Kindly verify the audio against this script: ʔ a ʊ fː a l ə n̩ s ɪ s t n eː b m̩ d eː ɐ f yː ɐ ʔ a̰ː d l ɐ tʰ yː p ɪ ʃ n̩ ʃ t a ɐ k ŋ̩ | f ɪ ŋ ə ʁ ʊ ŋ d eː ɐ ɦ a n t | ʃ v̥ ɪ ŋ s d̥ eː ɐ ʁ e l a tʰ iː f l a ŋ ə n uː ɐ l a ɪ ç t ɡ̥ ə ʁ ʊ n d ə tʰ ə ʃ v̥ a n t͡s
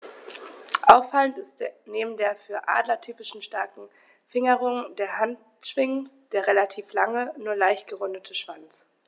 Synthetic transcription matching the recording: ʔ a ʊ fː a l ə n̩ t ɪ s t n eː b m̩ d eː ɐ f yː ɐ ʔ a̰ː d l ɐ tʰ yː p ɪ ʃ n̩ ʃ t a ɐ k ŋ̩ | f ɪ ŋ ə ʁ ʊ ŋ d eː ɐ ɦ a n t | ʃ v̥ ɪ ŋ s d̥ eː ɐ ʁ e l a tʰ iː f l a ŋ ə n uː ɐ l a ɪ ç t ɡ̥ ə ʁ ʊ n d ə tʰ ə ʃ v̥ a n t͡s

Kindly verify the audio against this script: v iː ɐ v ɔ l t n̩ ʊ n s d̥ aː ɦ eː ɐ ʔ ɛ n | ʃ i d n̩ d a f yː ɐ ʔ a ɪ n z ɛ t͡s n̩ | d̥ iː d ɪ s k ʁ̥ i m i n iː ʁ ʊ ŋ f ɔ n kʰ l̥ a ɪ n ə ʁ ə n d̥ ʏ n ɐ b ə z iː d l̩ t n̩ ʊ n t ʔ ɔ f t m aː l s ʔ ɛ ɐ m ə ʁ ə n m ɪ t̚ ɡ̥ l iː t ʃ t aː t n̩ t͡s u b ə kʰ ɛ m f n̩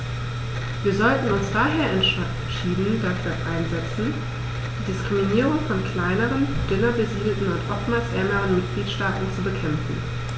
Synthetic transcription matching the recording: v iː ɐ z ɔ l t n̩ ʊ n s d̥ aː ɦ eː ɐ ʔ ɛ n | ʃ iː d n̩ d a f yː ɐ ʔ a ɪ n z ɛ t͡s n̩ | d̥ iː d ɪ s k ʁ̥ i m i n iː ʁ ʊ ŋ f ɔ n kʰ l̥ a ɪ n ə ʁ ə n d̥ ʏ n ɐ b ə z iː d l̩ t n̩ ʊ n t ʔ ɔ f t m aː l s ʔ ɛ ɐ m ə ʁ ə n m ɪ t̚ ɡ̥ l iː t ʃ t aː t n̩ t͡s u b ə kʰ ɛ m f n̩

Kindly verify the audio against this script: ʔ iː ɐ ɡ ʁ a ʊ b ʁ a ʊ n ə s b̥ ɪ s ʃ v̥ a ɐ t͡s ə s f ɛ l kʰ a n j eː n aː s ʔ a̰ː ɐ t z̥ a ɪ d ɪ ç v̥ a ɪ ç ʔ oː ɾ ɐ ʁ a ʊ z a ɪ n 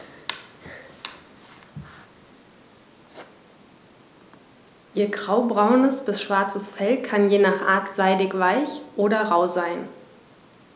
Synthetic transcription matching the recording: ʔ iː ɐ ɡ ʁ a ʊ b ʁ a ʊ n ə s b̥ ɪ s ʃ v̥ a ɐ t͡s ə s f ɛ l kʰ a n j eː n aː χ ʔ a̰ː ɐ t z̥ a ɪ d ɪ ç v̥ a ɪ ç ʔ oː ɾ ɐ ʁ a ʊ z a ɪ n

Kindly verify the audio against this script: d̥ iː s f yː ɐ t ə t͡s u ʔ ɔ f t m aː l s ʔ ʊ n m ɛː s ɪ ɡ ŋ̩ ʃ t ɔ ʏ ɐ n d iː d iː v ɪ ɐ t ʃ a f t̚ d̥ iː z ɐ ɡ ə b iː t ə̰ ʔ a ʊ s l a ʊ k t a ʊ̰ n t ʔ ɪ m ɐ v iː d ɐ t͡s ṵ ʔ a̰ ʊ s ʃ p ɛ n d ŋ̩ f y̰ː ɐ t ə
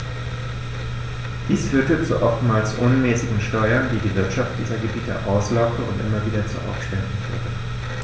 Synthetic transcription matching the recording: d̥ iː s f yː ɐ t ə t͡s u ʔ ɔ f t m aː l s ʔ ʊ n m ɛː s ɪ ɡ ŋ̩ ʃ t ɔ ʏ ɐ n d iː d iː v ɪ ɐ t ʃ a f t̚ d̥ iː z ɐ ɡ ə b iː t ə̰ ʔ a ʊ s l a ʊ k t ə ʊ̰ n t ʔ ɪ m ɐ v iː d ɐ t͡s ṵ ʔ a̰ ʊ f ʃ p ɛ n d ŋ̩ f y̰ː ɐ t ə

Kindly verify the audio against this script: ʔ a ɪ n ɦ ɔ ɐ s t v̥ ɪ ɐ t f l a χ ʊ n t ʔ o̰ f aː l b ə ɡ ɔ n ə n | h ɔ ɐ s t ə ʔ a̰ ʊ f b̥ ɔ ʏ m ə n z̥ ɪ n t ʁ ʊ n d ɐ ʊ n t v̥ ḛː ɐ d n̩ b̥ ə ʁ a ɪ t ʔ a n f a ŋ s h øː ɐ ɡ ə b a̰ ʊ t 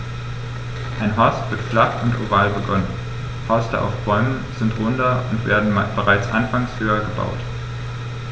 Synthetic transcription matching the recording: ʔ a ɪ n ɦ ɔ ɐ s t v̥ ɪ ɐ t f l a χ ʊ n t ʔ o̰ v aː l b ə ɡ ɔ n ə n | h ɔ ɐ s t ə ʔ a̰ ʊ f b̥ ɔ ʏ m ə n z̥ ɪ n t ʁ ʊ n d ɐ ʊ n t v̥ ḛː ɐ d n̩ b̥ ə ʁ a ɪ t͡s ʔ a n f a ŋ s h øː ɐ ɡ ə b a̰ ʊ t

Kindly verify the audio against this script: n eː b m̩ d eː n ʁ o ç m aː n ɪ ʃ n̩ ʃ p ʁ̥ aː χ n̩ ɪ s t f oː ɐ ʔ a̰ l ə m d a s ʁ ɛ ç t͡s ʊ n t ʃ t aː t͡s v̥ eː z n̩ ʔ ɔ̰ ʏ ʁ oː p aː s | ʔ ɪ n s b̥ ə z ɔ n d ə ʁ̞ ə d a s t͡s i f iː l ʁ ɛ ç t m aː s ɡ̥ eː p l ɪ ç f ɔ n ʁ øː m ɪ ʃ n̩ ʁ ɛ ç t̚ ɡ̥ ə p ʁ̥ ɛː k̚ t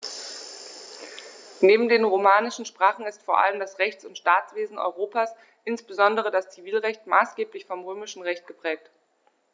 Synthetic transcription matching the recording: n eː b m̩ d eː n ʁ o m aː n ɪ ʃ n̩ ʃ p ʁ̥ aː χ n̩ ɪ s t f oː ɐ ʔ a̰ l ə m d a s ʁ ɛ ç t͡s ʊ n t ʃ t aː t͡s v̥ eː z n̩ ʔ ɔ̰ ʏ ʁ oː p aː s | ʔ ɪ n s b̥ ə z ɔ n d ə ʁ̞ ə d a s t͡s i v iː l ʁ ɛ ç t m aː s ɡ̥ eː p l ɪ ç f ɔ m ʁ øː m ɪ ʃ n̩ ʁ ɛ ç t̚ ɡ̥ ə p ʁ̥ ɛː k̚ t

